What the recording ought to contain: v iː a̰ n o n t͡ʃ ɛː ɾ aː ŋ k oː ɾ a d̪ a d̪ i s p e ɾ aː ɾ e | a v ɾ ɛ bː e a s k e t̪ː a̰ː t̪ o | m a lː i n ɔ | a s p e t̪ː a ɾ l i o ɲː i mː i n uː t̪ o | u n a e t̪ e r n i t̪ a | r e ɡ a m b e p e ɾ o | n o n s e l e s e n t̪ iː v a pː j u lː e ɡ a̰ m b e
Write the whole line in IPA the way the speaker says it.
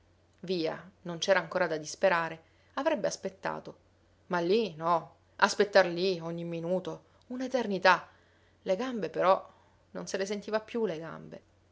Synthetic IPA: v iː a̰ n o n t͡ʃ ɛː ɾ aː ŋ k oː ɾ a d̪ a d̪ i s p e ɾ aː ɾ e | a v ɾ ɛ bː e a s p e t̪ː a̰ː t̪ o | m a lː i n ɔ | a s p e t̪ː a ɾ l i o ɲː i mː i n uː t̪ o | u n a e t̪ e r n i t̪ a | l e ɡ a m b e p e ɾ ɔ | n o n s e l e s e n t̪ iː v a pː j u l e ɡ a̰ m b e